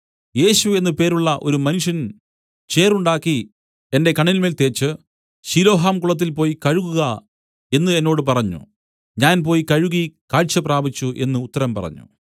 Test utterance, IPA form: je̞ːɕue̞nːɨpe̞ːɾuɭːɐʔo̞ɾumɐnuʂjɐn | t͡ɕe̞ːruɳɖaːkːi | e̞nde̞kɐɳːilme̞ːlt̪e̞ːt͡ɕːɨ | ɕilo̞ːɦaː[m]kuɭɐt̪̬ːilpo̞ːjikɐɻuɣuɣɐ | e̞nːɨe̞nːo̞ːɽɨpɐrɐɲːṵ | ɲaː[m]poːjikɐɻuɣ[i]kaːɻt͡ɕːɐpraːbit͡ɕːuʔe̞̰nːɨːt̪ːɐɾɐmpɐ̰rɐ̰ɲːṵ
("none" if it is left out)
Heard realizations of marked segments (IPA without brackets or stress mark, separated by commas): m, n, i